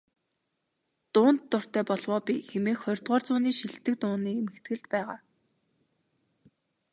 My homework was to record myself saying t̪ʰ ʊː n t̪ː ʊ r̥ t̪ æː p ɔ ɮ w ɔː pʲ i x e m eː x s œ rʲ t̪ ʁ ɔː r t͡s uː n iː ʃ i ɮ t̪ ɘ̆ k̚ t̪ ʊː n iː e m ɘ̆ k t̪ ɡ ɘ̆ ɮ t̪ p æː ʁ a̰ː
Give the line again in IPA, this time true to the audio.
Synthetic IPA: t̪ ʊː n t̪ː ʊ r̥ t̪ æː p ɔ ɮ w ɔː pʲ i x e m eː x χ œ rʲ t̪ ʁ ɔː r t͡s ʊː n iː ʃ i ɮ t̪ ɘ̆ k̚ t̪ ʊː n iː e m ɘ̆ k t̪ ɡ ɘ̆ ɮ t̪ p æː ʁ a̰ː